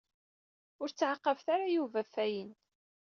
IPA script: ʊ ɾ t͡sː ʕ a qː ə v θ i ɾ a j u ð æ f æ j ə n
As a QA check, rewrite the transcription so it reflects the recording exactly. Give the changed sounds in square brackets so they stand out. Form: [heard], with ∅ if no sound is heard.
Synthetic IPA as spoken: ʊ ɾ t͡sː ʕ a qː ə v θ [a] ɾ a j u [v] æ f æ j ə n